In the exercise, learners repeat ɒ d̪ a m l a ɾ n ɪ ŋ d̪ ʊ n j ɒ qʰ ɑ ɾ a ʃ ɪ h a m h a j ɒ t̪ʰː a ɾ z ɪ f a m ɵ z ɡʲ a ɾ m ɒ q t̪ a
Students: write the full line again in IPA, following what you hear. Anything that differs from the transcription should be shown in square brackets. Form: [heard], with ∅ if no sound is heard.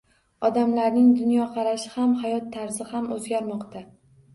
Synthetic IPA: ɒ d̪ a m l a ɾ n ɪ ŋ d̪ ʊ n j ɒ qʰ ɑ ɾ a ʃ ɪ h a m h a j ɒ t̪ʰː a ɾ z ɪ [h] a m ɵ z ɡʲ a ɾ m ɒ q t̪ a